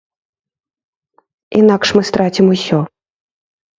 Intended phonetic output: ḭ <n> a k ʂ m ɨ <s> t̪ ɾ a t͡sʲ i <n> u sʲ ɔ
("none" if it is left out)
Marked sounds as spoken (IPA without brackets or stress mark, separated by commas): n, s, m